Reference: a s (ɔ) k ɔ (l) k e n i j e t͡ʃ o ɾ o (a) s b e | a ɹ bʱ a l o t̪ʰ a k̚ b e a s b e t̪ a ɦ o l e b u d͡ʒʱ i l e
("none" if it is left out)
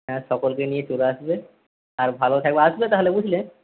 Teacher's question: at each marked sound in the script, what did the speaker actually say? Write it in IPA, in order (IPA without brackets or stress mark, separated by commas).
ɔ, l, a